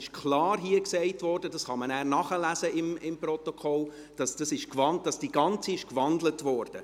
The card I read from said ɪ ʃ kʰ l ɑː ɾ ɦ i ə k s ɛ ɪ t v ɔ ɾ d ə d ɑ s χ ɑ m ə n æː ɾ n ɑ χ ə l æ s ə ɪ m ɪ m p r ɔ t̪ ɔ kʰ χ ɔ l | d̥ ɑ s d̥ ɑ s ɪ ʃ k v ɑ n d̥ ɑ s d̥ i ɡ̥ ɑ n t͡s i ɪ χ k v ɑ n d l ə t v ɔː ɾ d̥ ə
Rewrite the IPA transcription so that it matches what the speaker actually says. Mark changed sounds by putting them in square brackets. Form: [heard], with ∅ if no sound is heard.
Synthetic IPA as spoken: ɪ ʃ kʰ l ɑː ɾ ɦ i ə k s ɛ ɪ t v ɔ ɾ d ə d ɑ s χ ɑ m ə n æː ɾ n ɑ χ ə l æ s ə ɪ m ɪ m p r ɔ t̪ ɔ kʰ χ ɔ l | d̥ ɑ s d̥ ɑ s ɪ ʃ k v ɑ n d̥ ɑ s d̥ i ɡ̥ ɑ n t͡s i ɪ [ʃ] k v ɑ n d l ə t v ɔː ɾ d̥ ə